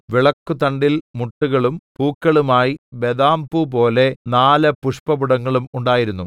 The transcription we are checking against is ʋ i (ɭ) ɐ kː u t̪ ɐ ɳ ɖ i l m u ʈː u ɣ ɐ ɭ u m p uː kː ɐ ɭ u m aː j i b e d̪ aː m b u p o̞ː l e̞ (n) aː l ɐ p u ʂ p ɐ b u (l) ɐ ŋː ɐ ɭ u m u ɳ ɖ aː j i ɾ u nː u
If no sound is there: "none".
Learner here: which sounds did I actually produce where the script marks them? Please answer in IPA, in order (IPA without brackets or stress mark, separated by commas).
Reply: ɭ, n, ɽ